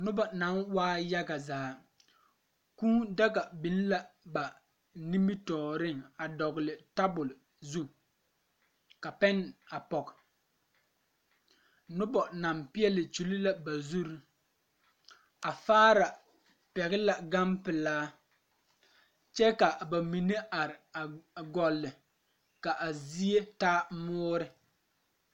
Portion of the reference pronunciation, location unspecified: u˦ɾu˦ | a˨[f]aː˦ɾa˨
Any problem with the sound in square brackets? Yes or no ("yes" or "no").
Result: no